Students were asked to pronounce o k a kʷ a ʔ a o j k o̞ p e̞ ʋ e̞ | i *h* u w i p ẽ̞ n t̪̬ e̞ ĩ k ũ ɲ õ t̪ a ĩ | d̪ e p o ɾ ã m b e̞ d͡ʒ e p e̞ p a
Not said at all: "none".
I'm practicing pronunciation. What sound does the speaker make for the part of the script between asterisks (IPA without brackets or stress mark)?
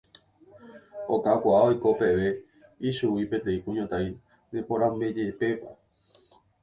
ʃ